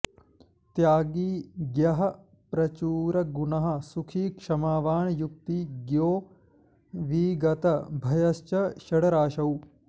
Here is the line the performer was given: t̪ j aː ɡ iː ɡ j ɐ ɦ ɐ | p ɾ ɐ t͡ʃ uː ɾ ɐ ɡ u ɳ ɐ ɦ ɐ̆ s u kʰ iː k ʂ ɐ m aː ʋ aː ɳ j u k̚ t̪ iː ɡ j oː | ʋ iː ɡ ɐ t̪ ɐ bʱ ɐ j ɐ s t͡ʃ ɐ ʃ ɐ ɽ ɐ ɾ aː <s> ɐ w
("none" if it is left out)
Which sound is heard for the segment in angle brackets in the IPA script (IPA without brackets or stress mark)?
ʃ